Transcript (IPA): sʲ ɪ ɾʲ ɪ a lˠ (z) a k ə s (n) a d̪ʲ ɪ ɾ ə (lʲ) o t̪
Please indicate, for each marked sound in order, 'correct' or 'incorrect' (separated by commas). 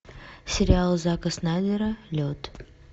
correct, correct, correct